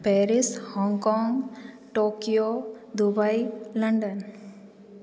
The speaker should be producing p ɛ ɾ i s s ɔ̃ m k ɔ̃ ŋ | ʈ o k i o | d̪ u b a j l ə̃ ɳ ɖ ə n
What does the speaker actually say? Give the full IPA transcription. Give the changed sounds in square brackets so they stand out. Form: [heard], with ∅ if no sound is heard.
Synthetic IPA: p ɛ ɾ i s [h] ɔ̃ [ŋ] k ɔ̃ ŋ | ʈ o k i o | d̪ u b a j l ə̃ ɳ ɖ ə n